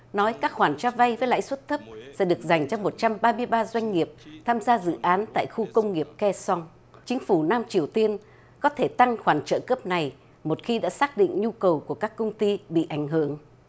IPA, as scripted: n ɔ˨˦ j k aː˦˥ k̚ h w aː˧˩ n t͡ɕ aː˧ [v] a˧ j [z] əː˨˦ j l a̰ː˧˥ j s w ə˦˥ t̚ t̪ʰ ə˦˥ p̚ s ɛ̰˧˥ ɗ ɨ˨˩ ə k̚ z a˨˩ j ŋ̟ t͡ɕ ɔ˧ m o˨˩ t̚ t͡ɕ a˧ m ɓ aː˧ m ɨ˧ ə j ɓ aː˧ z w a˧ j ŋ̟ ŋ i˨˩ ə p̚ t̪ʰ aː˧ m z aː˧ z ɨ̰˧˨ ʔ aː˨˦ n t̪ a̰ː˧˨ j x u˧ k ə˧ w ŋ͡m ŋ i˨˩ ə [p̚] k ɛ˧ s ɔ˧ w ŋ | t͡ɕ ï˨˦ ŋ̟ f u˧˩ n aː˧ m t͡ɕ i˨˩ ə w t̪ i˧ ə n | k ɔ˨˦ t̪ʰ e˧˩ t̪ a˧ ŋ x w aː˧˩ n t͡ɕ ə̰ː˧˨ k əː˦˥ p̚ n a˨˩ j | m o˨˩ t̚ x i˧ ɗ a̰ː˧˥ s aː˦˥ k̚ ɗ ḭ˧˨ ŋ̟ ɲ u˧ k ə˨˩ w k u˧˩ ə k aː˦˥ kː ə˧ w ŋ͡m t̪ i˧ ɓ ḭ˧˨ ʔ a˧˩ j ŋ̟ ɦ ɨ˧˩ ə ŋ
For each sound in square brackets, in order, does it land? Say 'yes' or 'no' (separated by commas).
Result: yes, no, yes